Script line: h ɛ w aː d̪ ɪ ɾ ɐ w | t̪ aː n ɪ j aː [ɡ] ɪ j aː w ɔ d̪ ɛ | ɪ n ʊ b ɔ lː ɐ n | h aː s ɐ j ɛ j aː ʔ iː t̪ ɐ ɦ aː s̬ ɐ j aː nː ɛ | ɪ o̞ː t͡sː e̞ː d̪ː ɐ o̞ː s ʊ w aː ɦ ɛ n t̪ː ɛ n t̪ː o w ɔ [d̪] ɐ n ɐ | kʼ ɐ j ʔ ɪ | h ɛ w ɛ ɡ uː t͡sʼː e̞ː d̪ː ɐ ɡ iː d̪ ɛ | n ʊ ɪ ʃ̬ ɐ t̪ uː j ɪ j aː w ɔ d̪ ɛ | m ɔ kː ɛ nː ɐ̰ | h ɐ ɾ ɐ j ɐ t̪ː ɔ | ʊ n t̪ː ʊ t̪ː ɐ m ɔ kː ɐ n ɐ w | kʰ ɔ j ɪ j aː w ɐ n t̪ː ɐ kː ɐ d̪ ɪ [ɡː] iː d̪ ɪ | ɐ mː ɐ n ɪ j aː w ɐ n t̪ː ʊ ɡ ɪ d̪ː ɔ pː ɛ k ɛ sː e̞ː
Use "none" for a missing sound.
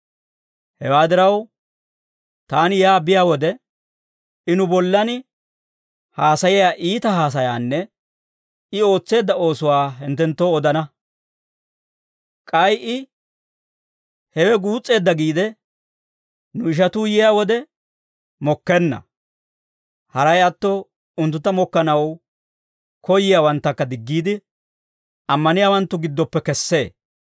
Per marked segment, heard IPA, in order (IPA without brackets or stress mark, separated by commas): b, d̪, ɡː